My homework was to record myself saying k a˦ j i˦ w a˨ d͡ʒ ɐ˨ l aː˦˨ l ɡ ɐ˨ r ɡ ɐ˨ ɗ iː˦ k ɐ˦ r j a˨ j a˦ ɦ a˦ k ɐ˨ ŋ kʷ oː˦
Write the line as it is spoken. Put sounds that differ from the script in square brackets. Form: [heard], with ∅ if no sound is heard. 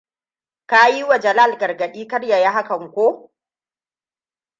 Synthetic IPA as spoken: k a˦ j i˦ w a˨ d͡ʒ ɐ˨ l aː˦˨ l ɡ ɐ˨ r ɡ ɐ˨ ɗ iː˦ k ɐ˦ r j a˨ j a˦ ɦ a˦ k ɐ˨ ŋ kʷ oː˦